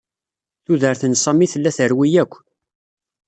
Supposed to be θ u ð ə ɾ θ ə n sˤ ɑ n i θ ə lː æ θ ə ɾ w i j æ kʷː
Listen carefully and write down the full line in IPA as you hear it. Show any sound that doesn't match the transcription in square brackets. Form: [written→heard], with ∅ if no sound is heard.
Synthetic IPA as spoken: θ u ð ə ɾ θ ə n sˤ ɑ [n→m] i θ ə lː æ θ ə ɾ w i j æ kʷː